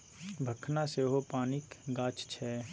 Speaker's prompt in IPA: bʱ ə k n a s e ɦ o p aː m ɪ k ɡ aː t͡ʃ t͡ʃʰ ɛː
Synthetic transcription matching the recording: bʱ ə kʰ n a s e ɦ o p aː n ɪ k ɡ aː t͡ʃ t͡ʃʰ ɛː